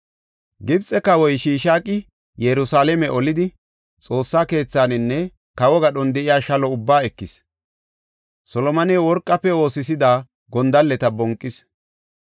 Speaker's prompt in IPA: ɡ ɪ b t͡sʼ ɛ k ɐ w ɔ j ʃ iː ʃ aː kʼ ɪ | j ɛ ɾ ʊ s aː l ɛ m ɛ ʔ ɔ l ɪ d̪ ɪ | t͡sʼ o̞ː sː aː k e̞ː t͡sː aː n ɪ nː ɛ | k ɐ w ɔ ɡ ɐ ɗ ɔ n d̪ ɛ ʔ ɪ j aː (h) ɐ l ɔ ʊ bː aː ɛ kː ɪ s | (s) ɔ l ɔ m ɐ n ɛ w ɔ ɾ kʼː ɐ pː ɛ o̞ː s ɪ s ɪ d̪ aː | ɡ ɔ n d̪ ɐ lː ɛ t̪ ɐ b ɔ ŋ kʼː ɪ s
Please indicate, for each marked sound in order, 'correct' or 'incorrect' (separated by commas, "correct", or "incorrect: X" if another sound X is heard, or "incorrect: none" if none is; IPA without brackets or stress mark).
incorrect: ʃ, correct